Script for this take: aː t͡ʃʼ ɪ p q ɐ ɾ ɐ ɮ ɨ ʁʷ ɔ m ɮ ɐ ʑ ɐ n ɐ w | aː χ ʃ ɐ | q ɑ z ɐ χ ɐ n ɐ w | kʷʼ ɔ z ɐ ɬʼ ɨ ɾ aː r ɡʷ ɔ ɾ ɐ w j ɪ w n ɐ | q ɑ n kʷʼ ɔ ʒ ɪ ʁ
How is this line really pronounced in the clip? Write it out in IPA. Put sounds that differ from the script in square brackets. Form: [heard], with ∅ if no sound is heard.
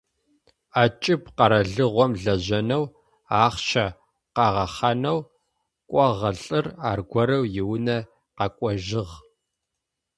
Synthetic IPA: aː t͡ʃʼ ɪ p q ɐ ɾ ɐ ɮ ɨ ʁʷ ɔ m ɮ ɐ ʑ ɐ n ɐ w | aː χ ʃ ɐ | q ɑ [ʁ] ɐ χ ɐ n ɐ w | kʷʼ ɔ [ʁ] ɐ ɬʼ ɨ [r] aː r ɡʷ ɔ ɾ ɐ w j ɪ w n ɐ | q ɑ [∅] kʷʼ ɔ ʒ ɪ ʁ